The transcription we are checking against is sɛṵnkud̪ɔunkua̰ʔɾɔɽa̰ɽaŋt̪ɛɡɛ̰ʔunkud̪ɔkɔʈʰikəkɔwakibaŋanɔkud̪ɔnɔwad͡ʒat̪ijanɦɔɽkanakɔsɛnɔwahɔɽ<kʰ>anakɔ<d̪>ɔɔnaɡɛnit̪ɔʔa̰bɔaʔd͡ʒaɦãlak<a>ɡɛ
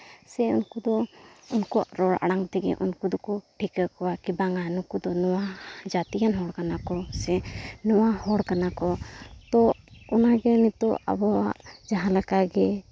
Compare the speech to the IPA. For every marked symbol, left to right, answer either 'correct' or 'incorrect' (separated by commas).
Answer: incorrect, incorrect, correct